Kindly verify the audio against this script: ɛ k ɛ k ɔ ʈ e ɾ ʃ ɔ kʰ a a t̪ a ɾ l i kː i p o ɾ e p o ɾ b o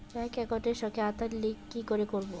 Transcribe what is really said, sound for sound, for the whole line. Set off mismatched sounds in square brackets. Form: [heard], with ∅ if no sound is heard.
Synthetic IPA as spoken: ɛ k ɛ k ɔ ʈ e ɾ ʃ ɔ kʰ [e] a t̪ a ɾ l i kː i [k] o ɾ e [k] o ɾ b o